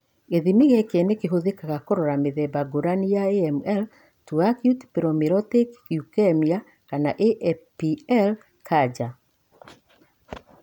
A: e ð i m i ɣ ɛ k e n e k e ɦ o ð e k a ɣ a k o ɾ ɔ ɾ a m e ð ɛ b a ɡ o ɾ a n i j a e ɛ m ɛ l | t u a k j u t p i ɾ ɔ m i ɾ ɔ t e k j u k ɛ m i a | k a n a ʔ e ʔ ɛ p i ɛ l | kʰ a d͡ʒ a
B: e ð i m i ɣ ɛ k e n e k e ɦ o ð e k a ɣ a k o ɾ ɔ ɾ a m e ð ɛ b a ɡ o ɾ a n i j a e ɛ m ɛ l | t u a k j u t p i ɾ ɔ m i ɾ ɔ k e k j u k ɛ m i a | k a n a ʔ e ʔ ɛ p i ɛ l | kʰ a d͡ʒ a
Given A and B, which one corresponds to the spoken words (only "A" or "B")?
A